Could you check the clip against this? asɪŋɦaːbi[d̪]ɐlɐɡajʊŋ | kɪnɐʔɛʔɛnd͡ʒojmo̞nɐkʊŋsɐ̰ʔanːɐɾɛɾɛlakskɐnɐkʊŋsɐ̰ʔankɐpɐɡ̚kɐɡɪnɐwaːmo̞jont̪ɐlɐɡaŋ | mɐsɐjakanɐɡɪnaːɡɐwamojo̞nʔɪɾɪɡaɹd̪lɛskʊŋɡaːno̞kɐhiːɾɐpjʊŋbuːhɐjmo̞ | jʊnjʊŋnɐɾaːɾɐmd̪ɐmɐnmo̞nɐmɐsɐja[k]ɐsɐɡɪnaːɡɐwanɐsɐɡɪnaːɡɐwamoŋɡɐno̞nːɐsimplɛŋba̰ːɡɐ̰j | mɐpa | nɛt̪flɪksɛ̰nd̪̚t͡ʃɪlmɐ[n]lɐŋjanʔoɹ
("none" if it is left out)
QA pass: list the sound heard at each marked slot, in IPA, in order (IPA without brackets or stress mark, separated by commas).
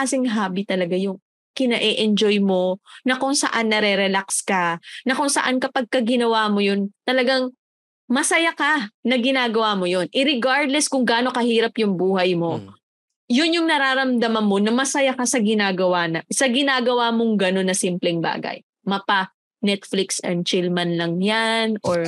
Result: t̪, k, n